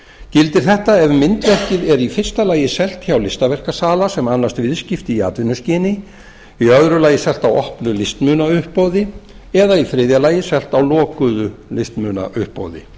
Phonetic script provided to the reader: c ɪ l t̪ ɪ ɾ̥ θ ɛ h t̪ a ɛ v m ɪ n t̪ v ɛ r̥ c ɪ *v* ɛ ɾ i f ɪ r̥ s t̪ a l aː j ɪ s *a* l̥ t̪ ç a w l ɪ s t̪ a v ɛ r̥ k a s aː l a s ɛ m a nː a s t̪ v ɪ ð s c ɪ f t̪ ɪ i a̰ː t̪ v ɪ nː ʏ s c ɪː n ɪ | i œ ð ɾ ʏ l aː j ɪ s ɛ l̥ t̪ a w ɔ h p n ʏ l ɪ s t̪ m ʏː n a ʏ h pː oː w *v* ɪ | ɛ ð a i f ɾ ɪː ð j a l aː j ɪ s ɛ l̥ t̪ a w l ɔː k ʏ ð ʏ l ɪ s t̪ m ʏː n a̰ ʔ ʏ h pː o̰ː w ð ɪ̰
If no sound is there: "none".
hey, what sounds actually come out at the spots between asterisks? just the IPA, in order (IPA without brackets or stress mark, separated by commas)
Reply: ð, ɛ, ð